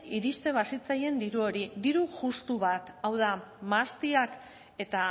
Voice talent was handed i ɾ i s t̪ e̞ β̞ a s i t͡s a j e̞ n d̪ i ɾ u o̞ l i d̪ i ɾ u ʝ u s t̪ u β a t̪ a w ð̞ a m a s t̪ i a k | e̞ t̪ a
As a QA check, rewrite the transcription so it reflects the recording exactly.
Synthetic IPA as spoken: i ɾ i s t̪ e̞ β̞ a s i t͡s a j e̞ n d̪ i ɾ u o̞ ɾ i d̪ i ɾ u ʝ u s t̪ u β a t̪ a w ð̞ a m a s t̪ i a k | e̞ t̪ a